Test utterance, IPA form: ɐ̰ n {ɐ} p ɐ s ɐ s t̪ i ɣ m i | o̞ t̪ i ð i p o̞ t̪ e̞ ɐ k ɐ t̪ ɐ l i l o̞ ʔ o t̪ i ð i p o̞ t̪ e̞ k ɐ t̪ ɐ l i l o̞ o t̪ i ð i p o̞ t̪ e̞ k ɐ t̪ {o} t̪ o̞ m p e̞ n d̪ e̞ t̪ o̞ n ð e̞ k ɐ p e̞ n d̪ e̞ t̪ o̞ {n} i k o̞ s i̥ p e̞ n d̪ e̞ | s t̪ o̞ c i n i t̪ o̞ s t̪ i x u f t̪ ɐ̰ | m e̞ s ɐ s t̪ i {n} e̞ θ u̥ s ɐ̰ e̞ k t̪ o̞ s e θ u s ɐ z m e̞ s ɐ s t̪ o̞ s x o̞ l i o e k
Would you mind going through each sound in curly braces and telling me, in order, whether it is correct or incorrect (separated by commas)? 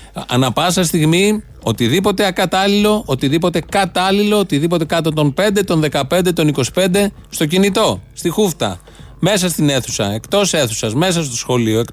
correct, correct, correct, correct